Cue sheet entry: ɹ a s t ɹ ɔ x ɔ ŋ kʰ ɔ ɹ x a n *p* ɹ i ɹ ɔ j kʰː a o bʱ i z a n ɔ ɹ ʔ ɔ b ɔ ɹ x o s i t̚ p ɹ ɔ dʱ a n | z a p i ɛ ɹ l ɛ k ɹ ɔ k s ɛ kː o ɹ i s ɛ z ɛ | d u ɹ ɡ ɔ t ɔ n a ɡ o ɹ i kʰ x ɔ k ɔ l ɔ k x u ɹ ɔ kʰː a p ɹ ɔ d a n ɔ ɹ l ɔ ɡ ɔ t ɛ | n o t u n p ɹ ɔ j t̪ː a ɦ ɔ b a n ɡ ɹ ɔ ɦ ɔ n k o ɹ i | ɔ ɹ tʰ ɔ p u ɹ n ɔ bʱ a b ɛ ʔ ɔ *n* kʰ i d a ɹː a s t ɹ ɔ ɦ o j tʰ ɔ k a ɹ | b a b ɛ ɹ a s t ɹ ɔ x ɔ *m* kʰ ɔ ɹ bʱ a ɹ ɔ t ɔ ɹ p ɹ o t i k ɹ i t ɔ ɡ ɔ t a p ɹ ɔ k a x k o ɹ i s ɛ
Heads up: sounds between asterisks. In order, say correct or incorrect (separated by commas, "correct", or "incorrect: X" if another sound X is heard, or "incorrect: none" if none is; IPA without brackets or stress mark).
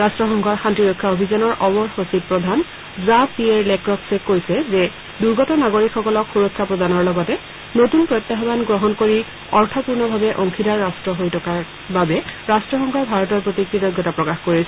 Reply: incorrect: t, incorrect: ŋ, incorrect: ŋ